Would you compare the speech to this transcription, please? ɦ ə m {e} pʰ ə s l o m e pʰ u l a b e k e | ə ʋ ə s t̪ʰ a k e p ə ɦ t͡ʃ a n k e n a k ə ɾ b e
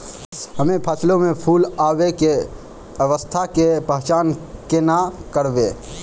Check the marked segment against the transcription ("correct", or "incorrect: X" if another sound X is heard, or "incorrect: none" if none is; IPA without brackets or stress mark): correct